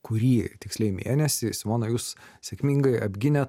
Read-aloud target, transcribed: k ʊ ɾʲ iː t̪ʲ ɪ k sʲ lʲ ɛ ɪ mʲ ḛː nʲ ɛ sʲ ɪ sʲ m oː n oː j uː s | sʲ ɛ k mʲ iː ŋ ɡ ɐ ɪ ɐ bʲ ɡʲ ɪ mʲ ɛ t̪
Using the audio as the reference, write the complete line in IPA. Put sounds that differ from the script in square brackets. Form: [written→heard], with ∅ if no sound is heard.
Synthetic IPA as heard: k ʊ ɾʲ iː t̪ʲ ɪ k sʲ lʲ ɛ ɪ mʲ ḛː nʲ ɛ sʲ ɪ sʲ m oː n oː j uː s | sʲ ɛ k mʲ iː ŋ ɡ ɐ ɪ ɐ bʲ ɡʲ ɪ [mʲ→nʲ] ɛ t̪